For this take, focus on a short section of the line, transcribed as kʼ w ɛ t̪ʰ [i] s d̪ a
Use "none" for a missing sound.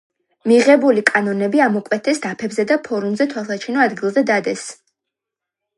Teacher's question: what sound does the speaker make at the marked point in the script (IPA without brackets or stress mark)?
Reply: ɛ